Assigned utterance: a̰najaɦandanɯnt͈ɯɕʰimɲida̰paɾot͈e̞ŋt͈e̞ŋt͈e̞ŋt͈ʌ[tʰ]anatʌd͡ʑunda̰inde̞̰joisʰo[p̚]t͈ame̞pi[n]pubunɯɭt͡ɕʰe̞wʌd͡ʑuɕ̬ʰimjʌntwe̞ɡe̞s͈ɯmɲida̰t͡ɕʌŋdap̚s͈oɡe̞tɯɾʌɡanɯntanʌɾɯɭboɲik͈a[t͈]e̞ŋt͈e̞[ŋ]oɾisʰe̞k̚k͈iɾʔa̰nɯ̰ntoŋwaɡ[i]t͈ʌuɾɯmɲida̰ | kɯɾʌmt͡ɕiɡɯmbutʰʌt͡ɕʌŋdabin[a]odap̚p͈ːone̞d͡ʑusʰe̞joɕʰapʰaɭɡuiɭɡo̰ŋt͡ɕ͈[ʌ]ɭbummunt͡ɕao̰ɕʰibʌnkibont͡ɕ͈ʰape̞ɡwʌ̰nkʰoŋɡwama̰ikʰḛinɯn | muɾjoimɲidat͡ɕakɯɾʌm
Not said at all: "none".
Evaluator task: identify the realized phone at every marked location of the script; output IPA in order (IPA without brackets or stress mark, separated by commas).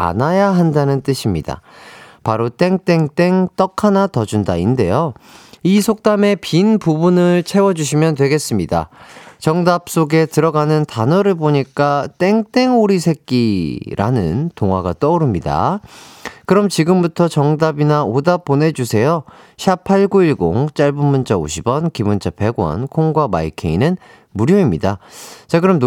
kʰ, k̚, n, t͈, ŋ, a, a, a